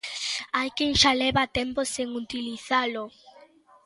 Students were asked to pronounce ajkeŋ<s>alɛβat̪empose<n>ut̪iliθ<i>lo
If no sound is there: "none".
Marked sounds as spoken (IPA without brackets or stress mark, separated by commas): ʃ, ŋ, a